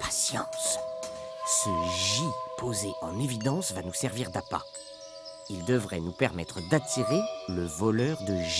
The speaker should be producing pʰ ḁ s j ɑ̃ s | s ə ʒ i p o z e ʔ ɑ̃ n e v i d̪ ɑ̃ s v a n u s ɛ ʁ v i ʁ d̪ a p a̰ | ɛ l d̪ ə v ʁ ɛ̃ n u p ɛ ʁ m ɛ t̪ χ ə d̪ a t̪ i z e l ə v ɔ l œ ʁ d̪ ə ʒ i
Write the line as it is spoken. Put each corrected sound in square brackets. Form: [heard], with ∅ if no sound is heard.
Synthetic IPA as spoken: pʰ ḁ s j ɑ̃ s | s ə ʒ i p o z e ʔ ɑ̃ n e v i d̪ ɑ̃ s v a n u s ɛ ʁ v i ʁ d̪ a p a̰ | [i] l d̪ ə v ʁ [ɛ] n u p ɛ ʁ m ɛ t̪ χ ə d̪ a t̪ i [ʁ] e l ə v ɔ l œ ʁ d̪ ə ʒ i